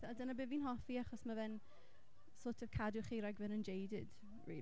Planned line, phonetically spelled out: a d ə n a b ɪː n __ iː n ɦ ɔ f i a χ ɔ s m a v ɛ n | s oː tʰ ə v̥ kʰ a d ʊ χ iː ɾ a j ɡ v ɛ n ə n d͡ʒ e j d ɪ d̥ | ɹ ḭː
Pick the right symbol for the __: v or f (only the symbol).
v